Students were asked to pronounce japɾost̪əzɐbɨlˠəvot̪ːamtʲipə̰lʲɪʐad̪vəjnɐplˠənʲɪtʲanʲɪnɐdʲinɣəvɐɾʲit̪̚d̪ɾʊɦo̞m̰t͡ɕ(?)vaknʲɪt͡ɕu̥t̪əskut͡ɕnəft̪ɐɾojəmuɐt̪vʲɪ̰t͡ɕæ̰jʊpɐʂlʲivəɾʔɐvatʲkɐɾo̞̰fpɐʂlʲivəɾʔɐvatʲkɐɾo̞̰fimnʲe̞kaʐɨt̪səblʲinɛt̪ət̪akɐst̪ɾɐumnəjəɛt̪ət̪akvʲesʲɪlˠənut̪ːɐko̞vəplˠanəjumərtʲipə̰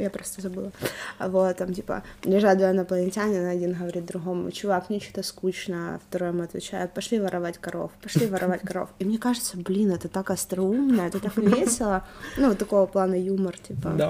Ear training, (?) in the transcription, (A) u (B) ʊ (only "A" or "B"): B